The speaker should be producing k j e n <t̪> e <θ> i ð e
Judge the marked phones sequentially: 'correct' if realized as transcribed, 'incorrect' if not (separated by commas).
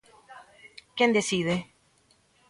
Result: incorrect, incorrect